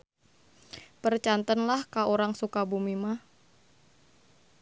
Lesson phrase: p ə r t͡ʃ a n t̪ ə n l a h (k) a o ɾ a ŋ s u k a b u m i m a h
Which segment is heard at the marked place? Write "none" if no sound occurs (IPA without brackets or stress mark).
k